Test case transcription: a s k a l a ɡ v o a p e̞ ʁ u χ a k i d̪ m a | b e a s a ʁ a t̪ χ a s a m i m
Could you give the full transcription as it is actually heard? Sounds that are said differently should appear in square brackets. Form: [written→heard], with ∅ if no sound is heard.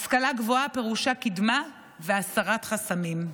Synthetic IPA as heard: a s k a l a ɡ v o a p e̞ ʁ u [χ→ʃ] a k i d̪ m a | [b→v] e a s a ʁ a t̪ χ a s a m i m